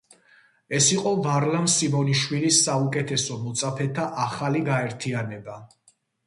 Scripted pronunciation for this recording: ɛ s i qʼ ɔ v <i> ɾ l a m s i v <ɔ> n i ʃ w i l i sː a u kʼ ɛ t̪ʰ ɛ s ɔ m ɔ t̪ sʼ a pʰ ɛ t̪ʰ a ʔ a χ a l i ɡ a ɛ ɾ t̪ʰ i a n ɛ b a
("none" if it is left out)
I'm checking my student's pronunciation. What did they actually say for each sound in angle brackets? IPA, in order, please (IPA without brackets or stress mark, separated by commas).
a, ɔ